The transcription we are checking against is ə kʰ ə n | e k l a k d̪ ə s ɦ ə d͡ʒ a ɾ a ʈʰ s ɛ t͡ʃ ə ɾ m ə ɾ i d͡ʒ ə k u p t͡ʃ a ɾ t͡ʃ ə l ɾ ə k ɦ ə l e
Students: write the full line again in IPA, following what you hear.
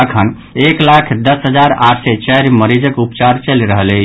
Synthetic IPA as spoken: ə kʰ ə n | e k l a kʰ d̪ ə s ɦ ə d͡ʒ a ɾ a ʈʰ s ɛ t͡ʃ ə ɾ m ə ɾ i d͡ʒ ə k u p t͡ʃ a ɾ t͡ʃ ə l ɾ ə ɦ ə l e